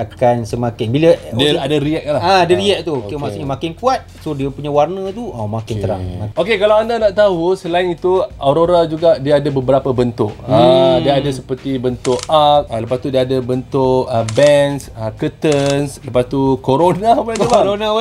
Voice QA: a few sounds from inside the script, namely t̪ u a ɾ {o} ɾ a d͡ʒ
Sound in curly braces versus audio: correct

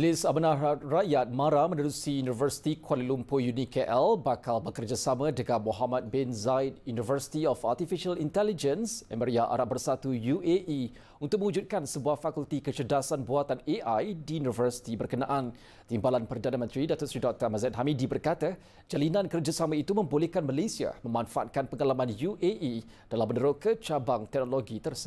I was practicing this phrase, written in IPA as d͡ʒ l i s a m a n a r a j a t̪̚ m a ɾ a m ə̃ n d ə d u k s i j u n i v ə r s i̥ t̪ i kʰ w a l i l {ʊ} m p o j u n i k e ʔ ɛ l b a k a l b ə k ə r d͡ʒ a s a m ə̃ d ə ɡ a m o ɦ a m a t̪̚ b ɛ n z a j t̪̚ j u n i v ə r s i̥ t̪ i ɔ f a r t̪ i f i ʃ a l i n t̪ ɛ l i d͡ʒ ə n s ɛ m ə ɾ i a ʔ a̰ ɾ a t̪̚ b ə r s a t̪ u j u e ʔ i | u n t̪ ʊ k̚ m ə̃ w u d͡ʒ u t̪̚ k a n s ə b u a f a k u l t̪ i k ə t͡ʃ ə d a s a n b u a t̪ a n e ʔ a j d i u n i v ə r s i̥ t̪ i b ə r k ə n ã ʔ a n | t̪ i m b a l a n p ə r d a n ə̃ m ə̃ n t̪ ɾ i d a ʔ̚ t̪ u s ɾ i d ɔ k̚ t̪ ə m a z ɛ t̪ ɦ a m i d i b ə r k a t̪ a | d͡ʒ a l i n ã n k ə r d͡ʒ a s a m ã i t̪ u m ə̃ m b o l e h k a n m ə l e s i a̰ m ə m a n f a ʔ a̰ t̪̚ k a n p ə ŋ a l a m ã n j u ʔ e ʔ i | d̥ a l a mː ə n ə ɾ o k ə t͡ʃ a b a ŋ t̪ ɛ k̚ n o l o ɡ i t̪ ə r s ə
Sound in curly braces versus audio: incorrect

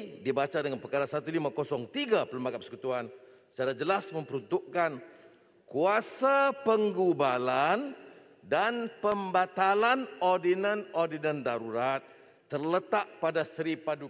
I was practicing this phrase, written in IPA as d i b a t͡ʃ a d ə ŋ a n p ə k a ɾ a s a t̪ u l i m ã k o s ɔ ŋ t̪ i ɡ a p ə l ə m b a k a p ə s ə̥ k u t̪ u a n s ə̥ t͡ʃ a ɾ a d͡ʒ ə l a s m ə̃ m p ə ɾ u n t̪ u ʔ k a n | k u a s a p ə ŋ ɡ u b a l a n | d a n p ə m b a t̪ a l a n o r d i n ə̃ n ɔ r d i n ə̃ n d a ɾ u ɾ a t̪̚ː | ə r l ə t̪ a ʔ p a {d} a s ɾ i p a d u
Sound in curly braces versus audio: correct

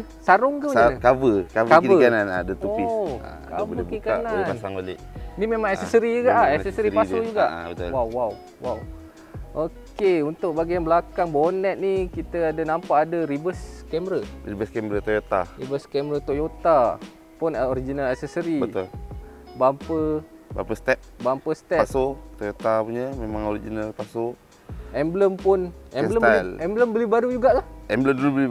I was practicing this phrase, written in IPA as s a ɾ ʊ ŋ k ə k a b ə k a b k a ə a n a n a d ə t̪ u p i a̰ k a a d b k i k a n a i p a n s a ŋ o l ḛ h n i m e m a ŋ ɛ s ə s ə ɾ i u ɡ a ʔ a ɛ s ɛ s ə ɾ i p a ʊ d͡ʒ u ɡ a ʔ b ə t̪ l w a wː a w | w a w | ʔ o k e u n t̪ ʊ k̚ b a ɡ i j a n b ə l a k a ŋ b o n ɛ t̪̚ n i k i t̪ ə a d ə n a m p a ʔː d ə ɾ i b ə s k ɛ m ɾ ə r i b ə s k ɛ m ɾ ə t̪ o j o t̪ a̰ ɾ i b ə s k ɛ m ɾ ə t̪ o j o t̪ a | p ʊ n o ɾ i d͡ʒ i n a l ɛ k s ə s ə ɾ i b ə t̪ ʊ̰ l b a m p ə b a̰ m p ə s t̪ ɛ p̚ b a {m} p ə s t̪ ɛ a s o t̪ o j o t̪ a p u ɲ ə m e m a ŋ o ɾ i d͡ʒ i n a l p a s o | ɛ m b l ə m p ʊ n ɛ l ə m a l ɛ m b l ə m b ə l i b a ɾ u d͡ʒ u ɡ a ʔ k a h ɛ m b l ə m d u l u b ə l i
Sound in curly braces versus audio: correct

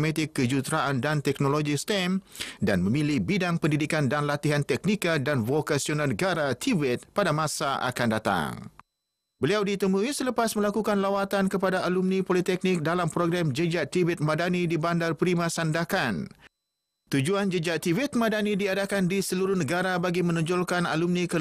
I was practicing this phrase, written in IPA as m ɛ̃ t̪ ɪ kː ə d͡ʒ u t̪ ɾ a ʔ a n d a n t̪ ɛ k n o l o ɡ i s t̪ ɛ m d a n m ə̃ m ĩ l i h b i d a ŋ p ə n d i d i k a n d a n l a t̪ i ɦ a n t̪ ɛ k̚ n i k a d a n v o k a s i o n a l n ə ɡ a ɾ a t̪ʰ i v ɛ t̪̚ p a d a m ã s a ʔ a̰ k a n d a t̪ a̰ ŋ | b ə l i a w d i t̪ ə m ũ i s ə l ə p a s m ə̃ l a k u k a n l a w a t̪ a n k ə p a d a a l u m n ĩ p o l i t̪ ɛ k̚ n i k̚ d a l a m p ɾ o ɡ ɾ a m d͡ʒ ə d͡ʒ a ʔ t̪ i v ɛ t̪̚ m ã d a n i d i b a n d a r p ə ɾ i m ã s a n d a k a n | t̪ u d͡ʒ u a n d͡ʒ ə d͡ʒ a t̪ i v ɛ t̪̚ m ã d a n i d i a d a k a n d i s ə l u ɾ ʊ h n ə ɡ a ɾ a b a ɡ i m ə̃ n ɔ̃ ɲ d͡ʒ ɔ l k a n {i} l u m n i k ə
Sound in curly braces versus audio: incorrect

